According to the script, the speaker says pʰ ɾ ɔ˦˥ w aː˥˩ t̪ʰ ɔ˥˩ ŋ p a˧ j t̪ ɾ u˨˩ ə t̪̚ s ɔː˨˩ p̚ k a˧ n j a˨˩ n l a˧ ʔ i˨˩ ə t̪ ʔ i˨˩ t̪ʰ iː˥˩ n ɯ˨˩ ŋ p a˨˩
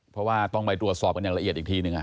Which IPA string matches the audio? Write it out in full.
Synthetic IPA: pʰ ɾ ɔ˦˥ w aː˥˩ t̪ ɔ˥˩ ŋ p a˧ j t̪ ɾ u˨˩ ə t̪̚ s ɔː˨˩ p̚ k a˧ n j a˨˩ ŋ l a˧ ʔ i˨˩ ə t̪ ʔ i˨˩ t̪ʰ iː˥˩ n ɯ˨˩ ŋ ʔ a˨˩

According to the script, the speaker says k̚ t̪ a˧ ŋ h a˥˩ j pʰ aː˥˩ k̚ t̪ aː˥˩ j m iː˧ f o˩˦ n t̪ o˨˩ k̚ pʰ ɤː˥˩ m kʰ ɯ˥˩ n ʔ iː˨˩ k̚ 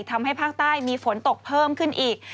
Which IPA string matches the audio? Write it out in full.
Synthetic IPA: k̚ t̪ʰ a˧ m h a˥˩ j pʰ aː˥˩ k̚ t̪ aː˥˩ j m iː˧ f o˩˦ n t̪ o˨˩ k̚ pʰ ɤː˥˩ m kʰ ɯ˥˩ n ʔ iː˨˩ k̚

